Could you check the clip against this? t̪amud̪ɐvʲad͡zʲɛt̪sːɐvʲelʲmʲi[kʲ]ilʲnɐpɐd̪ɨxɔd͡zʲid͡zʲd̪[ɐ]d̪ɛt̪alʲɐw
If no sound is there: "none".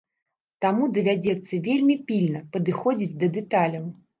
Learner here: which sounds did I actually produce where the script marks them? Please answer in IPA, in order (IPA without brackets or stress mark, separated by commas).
pʲ, ɐ